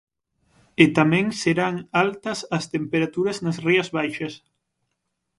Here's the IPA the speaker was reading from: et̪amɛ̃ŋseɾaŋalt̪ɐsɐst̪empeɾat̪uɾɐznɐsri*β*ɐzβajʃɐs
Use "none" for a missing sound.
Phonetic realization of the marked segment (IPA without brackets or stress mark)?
none